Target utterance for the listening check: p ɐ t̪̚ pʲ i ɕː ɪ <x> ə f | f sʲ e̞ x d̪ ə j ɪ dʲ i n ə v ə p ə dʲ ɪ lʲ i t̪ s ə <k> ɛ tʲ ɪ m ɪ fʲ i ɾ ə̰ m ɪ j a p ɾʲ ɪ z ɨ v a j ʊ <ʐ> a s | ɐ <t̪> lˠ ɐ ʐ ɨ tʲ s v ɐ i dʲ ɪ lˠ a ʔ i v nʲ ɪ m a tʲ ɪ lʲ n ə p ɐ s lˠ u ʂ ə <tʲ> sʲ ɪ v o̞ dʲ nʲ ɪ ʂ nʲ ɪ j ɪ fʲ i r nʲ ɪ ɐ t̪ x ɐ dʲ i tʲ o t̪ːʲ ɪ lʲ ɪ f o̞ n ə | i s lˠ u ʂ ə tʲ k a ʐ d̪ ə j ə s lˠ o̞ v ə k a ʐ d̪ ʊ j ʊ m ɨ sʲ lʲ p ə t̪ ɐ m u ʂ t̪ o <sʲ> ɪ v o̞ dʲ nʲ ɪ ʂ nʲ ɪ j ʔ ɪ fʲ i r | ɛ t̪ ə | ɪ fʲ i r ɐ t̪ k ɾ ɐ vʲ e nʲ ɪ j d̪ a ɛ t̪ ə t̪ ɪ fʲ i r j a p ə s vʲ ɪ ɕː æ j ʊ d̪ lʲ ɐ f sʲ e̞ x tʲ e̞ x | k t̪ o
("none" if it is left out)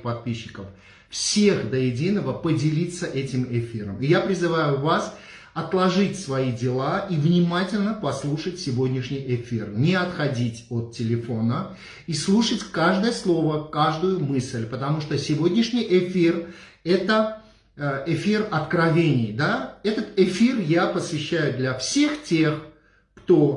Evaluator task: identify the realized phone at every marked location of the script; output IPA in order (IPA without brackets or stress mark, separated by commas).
k, ʔ, v, t̪, tʲ, sʲ